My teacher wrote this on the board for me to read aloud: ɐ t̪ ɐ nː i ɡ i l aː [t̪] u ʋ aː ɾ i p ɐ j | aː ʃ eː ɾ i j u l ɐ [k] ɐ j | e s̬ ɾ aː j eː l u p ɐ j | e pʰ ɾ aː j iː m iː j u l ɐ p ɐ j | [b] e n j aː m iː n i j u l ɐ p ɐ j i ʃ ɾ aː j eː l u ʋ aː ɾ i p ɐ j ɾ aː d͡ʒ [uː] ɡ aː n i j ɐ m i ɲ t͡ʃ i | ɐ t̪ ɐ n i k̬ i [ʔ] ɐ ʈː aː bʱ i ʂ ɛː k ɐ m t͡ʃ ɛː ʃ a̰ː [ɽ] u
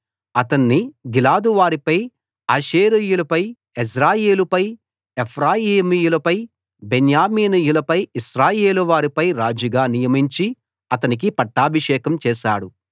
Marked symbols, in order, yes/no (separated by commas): no, no, yes, no, no, yes